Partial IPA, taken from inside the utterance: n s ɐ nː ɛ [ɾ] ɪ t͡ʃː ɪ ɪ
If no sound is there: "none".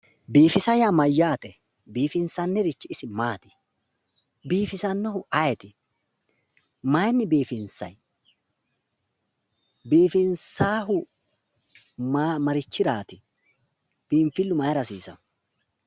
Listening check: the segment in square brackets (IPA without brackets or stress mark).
ɾ